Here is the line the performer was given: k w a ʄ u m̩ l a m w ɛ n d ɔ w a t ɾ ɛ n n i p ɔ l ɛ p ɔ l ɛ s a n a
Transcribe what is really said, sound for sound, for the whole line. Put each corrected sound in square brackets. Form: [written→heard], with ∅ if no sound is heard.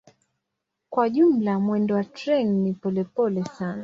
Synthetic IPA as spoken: k w a ʄ u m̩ l a m w ɛ n d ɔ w a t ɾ ɛ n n i p ɔ l ɛ p ɔ l ɛ s a n a